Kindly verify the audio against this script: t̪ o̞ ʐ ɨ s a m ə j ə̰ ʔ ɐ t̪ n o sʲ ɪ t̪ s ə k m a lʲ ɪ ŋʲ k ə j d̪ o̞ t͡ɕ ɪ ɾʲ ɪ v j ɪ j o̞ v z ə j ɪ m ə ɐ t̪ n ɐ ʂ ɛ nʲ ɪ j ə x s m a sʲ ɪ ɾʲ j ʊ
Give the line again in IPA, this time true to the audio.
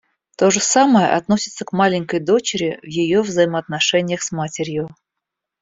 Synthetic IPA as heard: t̪ o̞ ʐ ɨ s a m ə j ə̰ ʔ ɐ t̪ n o sʲ ɪ t̪ s ə k m a lʲ ɪ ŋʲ k ə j d̪ o̞ t͡ɕ ɪ ɾʲ ɪ v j ɪ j o̞ v z ə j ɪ m ə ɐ t̪ n ɐ ʂ ɛ nʲ ɪ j ə x s m a tʲ ɪ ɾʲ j ʊ